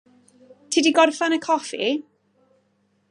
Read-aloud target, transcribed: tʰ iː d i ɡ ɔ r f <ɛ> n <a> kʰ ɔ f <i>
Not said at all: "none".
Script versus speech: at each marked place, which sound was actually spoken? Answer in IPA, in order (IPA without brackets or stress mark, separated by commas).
a, ə, i